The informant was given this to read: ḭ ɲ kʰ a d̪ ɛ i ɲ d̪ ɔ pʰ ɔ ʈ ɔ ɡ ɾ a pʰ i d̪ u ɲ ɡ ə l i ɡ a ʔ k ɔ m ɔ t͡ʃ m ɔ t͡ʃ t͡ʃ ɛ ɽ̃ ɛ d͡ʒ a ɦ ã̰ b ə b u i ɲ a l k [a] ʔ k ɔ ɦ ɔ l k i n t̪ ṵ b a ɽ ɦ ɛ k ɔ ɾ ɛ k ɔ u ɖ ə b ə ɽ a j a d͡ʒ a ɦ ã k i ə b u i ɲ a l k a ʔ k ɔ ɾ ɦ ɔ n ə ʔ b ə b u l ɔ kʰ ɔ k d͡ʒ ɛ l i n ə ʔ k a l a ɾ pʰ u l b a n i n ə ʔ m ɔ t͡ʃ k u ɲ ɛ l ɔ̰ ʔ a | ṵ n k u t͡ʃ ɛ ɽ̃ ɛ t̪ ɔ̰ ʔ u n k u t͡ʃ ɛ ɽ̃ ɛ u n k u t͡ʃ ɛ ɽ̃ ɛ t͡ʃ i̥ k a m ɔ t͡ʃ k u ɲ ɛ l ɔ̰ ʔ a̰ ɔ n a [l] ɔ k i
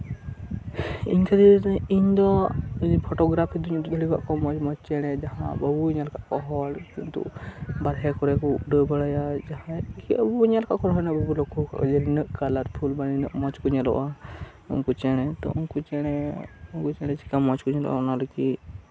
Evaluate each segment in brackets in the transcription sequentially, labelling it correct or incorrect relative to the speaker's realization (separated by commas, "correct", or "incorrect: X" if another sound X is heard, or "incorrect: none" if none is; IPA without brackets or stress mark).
correct, correct